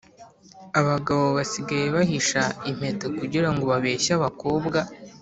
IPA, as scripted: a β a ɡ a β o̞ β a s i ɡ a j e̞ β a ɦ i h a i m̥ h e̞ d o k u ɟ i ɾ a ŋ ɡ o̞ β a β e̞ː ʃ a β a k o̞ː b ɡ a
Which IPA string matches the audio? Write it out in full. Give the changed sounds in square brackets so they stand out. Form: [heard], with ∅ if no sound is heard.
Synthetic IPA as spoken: a β a ɡ a β o̞ β a s i ɡ a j e̞ β a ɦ i [ʃ] a i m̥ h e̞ [t] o k u ɟ i ɾ a ŋ ɡ o̞ β a β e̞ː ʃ a β a k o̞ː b ɡ a